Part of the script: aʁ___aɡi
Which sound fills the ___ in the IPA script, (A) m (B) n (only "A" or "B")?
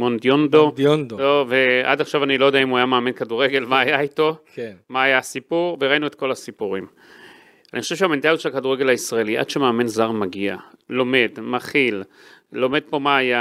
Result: A